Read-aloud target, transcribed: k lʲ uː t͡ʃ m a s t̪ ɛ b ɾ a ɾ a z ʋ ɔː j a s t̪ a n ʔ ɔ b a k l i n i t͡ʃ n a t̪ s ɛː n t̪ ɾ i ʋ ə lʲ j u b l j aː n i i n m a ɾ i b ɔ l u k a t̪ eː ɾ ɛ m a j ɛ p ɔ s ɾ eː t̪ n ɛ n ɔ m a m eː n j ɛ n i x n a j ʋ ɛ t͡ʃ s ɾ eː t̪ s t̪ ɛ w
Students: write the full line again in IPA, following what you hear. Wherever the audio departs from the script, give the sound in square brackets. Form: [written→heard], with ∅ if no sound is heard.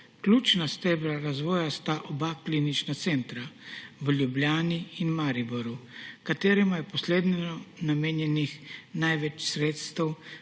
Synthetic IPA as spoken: k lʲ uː t͡ʃ [m→n] a s t̪ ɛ b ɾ a ɾ a z ʋ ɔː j a s t̪ a [n→∅] ʔ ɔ b a k l i n i t͡ʃ n a t̪ s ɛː n t̪ ɾ [i→a] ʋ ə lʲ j u b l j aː n i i n m a ɾ i b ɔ [l→ɾ] u k a t̪ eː ɾ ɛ m a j ɛ p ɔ s [ɾ→l] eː [t̪→d̪] n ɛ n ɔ [m→n] a m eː n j ɛ n i x n a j ʋ ɛ t͡ʃ s ɾ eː t̪ s t̪ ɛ w